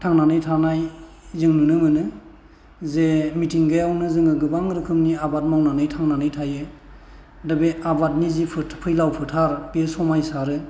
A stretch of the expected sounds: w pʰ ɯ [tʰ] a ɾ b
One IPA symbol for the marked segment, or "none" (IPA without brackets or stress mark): tʰ